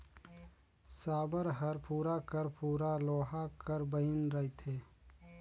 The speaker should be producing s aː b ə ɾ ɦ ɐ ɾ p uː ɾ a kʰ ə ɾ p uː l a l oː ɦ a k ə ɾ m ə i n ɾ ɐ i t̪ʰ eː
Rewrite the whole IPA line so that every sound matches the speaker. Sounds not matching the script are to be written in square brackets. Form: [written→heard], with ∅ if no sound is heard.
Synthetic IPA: s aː b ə ɾ ɦ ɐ ɾ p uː ɾ a [kʰ→k] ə ɾ p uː [l→ɾ] a l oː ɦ a k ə ɾ [m→b] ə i n ɾ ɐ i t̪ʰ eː